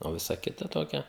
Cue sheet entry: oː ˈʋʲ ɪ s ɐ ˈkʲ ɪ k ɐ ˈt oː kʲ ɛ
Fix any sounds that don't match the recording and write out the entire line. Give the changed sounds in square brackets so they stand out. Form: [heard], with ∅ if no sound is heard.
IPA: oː ˈʋʲ ɪ s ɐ ˈkʲ ɪ [t] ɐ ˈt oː kʲ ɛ